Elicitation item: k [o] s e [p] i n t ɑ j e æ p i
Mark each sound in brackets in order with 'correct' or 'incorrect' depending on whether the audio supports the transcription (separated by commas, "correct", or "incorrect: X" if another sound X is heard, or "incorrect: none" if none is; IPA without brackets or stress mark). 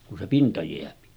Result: incorrect: u, correct